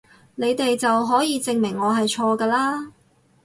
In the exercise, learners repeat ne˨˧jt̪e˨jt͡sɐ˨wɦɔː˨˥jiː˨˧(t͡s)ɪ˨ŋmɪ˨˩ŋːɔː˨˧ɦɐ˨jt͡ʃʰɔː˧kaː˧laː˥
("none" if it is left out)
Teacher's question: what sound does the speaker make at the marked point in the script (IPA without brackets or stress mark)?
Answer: t͡s